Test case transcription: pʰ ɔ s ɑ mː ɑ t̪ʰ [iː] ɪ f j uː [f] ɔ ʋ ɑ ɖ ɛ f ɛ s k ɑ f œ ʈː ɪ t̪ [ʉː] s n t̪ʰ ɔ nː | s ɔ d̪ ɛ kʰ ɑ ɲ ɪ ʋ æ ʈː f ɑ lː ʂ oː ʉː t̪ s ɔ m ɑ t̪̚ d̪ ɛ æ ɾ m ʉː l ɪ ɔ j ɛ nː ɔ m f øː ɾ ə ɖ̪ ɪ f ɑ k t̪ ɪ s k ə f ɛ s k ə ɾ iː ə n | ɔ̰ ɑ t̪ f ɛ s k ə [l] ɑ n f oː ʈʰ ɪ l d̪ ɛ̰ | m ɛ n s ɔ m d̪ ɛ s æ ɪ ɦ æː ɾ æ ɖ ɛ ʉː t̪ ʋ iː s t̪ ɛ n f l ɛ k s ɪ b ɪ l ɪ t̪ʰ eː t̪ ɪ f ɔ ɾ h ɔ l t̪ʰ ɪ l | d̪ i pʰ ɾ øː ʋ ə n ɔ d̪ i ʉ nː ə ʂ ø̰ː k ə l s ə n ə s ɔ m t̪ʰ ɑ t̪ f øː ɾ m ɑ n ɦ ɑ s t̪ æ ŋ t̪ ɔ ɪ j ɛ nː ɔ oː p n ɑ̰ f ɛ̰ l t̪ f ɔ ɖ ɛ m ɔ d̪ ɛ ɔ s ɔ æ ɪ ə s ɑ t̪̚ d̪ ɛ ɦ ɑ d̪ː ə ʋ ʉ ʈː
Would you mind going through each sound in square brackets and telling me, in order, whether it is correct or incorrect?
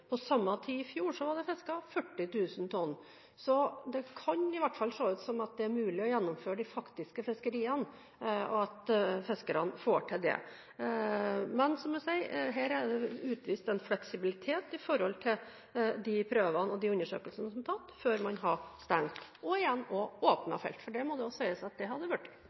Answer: correct, incorrect: ʂ, correct, incorrect: ɾ

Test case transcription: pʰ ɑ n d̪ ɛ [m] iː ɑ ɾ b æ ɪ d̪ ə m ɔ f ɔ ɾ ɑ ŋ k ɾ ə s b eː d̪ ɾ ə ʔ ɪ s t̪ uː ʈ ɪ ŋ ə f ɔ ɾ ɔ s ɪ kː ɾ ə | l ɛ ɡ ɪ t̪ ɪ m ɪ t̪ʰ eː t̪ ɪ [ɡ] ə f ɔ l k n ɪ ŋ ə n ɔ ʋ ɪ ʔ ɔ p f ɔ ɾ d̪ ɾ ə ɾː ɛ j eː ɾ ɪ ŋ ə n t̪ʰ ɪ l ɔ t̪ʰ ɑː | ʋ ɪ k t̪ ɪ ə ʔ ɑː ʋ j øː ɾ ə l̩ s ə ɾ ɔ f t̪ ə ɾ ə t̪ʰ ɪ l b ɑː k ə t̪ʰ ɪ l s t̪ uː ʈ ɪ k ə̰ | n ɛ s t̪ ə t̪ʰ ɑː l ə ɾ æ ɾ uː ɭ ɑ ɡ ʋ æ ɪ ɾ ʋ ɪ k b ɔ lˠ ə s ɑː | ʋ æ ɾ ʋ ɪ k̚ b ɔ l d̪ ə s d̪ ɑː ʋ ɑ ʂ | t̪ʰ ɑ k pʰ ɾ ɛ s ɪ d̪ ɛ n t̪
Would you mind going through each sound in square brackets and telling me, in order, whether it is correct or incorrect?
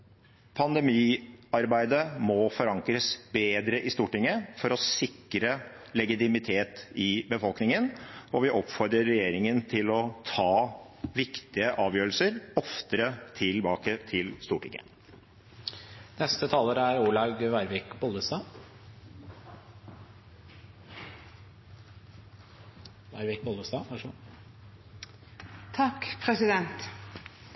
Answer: correct, incorrect: b

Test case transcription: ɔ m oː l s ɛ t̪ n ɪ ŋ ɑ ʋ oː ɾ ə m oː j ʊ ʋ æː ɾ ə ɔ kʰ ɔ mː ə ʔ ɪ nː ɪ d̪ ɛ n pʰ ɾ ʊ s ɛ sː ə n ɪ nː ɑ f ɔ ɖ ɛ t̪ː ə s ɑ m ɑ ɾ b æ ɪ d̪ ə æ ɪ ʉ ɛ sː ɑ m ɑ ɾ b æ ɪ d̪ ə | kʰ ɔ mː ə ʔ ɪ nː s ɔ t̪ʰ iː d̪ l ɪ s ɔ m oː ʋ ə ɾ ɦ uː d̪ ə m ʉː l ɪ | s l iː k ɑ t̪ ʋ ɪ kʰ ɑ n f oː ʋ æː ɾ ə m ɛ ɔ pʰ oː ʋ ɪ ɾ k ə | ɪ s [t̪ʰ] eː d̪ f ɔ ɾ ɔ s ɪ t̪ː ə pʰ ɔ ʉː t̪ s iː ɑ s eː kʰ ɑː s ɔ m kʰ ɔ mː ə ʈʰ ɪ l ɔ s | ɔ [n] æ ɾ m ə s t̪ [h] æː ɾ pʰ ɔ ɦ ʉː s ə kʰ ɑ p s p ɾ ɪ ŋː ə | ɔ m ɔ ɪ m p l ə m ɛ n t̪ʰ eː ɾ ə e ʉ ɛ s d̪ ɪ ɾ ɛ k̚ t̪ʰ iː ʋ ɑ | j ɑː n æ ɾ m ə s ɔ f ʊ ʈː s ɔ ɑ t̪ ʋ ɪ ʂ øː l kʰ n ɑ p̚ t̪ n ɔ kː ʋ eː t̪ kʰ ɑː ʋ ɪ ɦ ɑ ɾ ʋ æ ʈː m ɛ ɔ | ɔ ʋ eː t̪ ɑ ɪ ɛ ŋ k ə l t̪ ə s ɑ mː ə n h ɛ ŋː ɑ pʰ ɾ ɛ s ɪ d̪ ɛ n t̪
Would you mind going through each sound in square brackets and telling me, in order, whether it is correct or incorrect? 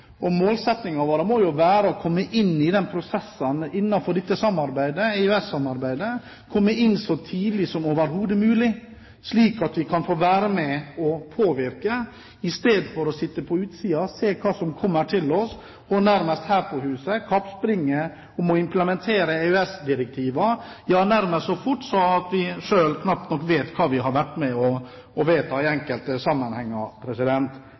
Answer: incorrect: t̪, correct, correct

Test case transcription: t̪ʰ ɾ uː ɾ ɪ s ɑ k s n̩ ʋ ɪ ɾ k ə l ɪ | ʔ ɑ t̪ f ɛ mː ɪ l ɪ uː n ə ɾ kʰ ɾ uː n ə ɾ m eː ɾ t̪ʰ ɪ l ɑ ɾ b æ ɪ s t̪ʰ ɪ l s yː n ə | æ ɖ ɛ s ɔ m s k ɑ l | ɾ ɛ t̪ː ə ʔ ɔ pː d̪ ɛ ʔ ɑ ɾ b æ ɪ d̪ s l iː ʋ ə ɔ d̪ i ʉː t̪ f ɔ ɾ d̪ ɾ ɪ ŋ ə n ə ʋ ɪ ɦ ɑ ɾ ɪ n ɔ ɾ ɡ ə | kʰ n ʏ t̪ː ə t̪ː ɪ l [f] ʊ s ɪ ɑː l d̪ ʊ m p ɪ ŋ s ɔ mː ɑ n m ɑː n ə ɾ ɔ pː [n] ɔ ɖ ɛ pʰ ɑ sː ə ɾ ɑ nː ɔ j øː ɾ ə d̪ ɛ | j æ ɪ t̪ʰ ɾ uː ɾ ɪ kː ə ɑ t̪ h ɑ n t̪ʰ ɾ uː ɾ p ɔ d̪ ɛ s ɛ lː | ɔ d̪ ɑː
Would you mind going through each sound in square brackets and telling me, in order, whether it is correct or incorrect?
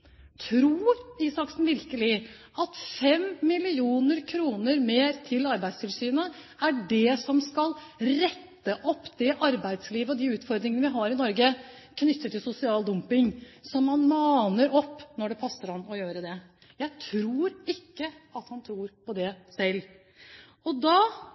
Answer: incorrect: s, correct

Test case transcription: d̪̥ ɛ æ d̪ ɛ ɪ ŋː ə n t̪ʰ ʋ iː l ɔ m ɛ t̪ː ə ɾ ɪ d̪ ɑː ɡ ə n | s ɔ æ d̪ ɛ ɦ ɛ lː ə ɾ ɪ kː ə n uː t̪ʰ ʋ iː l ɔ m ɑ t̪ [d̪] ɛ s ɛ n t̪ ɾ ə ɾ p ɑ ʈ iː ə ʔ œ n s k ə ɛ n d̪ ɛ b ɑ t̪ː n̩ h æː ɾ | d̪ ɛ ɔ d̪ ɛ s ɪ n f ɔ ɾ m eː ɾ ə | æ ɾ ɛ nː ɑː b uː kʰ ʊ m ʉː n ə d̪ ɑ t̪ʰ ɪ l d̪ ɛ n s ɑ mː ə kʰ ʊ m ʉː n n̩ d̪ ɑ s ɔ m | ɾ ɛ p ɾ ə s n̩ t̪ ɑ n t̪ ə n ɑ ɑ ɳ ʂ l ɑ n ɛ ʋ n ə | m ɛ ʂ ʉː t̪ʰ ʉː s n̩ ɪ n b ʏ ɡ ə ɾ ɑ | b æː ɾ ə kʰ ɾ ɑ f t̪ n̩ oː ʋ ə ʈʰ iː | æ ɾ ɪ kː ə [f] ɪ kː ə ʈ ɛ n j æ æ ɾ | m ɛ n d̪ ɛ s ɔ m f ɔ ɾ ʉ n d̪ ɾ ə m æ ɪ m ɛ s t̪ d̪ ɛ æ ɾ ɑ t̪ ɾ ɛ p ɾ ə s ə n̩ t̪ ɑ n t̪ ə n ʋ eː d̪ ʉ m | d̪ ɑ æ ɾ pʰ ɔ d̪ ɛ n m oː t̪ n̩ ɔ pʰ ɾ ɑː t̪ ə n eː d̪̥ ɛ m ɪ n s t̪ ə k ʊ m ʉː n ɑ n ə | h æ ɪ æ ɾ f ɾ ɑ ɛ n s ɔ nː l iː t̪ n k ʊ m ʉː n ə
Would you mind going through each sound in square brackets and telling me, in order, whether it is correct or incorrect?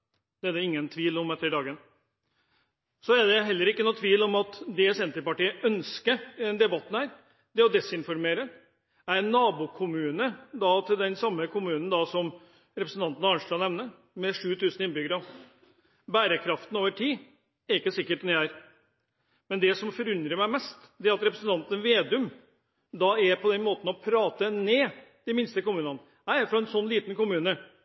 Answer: correct, incorrect: s

